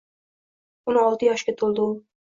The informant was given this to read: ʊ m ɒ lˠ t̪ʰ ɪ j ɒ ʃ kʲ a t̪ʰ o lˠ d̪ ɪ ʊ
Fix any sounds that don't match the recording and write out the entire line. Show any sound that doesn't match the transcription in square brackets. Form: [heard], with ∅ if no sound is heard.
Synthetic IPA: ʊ [n] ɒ lˠ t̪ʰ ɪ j ɒ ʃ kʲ a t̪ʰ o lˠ d̪ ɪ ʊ